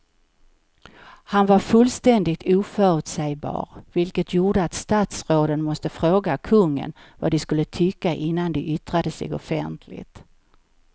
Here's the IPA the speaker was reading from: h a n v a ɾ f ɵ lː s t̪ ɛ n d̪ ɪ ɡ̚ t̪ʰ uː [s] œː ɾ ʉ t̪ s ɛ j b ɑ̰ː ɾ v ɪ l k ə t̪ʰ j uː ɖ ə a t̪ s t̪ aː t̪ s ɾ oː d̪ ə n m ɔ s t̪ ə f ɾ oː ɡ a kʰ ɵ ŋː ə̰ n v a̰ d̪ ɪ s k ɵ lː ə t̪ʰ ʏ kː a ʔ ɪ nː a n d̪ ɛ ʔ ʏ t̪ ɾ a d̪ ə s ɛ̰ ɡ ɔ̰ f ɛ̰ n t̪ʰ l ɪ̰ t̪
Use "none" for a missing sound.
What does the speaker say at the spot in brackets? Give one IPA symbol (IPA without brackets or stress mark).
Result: f